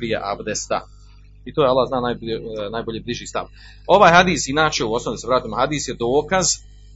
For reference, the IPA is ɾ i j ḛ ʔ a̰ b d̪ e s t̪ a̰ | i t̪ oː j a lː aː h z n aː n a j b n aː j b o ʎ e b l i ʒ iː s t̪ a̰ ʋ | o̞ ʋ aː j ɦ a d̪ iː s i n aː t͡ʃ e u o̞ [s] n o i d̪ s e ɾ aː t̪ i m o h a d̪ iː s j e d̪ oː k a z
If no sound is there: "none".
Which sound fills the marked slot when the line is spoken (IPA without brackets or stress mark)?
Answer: s